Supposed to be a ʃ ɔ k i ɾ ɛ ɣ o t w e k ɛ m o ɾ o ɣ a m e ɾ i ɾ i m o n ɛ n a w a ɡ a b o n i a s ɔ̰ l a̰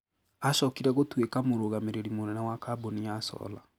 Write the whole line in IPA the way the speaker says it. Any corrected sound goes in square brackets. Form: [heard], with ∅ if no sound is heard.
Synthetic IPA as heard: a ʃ ɔ k i ɾ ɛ ɣ o t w e k [a] m o ɾ o ɣ a m e ɾ [e] ɾ i m o n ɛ n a w a [k] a b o n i a s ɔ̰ l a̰